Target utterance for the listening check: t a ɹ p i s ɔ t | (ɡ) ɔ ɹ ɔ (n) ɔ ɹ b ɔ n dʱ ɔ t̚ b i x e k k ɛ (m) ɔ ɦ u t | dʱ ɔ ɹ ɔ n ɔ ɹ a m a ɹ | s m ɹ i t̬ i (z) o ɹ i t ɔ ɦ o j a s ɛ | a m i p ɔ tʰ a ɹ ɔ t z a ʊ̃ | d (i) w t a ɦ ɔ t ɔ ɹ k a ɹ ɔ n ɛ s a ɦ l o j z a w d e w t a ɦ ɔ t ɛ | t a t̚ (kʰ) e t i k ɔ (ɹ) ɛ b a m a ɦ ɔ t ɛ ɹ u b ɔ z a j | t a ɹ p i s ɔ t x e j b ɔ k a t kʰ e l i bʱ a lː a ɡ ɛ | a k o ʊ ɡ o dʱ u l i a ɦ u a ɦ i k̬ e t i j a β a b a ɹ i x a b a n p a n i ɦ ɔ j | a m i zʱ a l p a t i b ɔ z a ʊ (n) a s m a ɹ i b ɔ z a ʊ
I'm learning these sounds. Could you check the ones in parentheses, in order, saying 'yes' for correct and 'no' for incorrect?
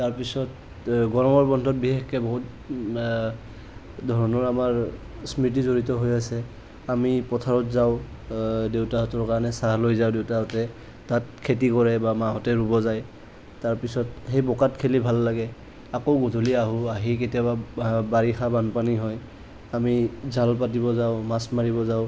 yes, no, no, yes, no, yes, yes, no

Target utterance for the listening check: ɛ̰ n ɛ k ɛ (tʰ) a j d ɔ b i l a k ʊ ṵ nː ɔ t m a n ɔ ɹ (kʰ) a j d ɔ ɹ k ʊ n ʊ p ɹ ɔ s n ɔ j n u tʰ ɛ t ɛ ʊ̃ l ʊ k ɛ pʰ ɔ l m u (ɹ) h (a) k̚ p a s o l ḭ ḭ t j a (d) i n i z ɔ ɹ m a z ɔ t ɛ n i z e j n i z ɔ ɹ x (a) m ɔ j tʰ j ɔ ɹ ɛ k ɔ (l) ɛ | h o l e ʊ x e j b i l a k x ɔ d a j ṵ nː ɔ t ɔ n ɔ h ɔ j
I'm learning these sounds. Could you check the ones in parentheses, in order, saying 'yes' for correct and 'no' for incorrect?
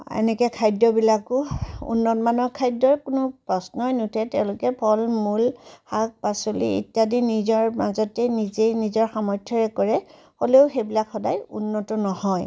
no, yes, no, yes, yes, yes, no

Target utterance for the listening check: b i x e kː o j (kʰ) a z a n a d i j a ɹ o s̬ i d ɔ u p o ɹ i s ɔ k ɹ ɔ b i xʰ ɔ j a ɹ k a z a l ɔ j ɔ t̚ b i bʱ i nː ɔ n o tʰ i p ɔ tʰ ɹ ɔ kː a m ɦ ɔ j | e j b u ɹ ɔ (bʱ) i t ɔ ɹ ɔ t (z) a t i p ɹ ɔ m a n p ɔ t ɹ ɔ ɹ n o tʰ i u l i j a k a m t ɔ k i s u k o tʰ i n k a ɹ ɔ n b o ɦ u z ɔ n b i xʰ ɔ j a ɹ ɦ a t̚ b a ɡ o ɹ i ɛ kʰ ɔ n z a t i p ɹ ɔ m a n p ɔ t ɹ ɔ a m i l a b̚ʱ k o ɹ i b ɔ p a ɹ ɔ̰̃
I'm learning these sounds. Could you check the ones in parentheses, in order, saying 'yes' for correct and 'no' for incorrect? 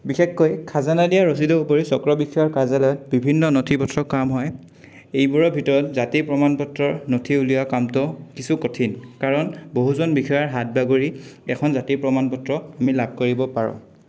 yes, yes, yes

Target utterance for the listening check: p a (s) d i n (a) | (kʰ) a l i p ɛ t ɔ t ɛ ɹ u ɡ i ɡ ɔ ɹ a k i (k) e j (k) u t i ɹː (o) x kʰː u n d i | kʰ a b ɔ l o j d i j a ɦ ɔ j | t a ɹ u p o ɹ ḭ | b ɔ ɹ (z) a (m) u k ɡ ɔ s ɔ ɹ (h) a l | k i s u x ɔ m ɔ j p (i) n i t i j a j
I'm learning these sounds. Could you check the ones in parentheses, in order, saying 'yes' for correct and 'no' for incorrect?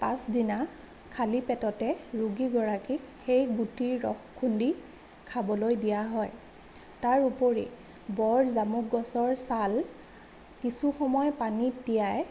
yes, yes, yes, no, no, no, yes, yes, no, no

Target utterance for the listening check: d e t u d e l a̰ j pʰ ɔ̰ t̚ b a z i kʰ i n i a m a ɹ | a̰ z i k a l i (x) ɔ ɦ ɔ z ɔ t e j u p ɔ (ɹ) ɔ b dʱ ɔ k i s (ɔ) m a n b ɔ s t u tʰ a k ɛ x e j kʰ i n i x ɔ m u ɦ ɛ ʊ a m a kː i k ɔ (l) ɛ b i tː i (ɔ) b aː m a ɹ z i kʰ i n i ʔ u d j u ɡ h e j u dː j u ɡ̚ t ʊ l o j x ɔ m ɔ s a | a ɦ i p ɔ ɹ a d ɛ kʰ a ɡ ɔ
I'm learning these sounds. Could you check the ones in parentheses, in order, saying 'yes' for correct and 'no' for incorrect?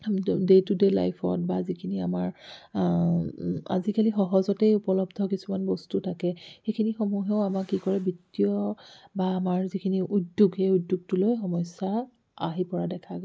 yes, no, no, no, yes

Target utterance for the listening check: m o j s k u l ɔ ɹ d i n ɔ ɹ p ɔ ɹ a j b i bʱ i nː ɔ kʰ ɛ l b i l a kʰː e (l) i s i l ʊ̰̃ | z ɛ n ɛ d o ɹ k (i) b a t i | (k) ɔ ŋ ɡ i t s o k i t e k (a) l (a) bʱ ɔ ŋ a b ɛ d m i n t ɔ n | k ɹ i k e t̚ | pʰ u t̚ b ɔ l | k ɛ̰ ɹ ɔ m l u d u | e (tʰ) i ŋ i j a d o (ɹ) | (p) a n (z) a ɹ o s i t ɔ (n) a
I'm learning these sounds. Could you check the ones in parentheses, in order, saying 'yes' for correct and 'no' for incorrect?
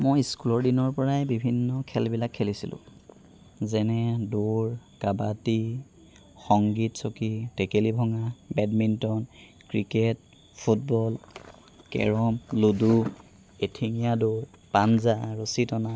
yes, no, no, no, no, yes, yes, yes, yes, yes

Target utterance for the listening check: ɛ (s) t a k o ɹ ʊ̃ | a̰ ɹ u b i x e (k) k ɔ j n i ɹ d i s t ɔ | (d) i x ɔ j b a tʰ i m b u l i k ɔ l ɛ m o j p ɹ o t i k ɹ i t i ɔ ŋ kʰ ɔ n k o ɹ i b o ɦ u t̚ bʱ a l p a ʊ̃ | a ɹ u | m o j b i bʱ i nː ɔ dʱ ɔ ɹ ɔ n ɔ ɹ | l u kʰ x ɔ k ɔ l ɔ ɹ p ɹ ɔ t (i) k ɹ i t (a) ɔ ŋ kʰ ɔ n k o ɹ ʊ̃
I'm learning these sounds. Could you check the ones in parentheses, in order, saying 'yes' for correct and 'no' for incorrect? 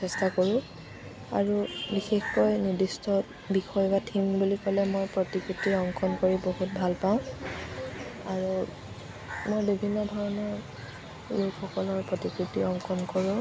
yes, no, no, yes, no

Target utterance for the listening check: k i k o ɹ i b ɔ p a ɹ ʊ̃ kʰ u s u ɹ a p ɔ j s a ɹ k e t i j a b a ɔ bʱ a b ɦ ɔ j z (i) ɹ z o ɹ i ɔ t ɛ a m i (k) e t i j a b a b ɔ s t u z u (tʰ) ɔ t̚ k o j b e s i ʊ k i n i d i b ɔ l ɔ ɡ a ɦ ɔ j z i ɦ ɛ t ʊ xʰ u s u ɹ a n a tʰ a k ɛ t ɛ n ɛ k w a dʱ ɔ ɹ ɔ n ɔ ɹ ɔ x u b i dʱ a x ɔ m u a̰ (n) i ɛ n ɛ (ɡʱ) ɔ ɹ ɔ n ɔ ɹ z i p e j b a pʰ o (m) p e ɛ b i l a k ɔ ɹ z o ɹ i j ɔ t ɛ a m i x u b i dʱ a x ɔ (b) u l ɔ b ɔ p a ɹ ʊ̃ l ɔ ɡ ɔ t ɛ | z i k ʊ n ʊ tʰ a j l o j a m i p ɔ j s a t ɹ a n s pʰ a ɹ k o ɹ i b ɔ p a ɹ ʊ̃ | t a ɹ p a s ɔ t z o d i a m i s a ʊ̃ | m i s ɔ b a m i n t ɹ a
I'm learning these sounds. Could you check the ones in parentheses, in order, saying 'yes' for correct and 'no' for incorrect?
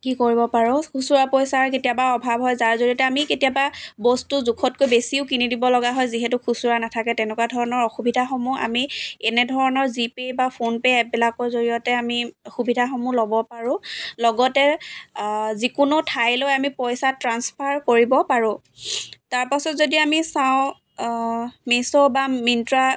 no, yes, no, no, no, no, no

